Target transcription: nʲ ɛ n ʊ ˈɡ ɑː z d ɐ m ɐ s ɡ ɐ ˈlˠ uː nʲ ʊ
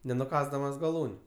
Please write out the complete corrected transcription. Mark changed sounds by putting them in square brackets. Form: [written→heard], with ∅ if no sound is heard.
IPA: nʲ ɛ n ʊ [ˈɡ→ˈk] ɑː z d ɐ m ɐ s ɡ ɐ ˈlˠ uː nʲ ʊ